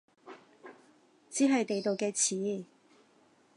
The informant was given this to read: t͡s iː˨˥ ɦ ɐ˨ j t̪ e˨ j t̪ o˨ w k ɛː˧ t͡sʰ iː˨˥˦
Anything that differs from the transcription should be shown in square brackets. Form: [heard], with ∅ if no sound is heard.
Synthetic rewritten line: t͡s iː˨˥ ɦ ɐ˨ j t̪ e˨ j t̪ o˨ w k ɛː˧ t͡sʰ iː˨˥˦